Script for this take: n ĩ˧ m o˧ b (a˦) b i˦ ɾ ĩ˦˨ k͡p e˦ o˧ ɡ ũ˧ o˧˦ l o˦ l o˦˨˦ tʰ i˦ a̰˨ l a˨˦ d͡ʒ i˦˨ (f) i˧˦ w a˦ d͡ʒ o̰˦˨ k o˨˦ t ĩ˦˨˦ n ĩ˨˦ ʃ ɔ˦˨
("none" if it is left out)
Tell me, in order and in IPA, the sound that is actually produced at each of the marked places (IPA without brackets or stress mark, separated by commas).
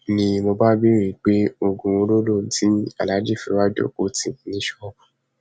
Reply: a˦, f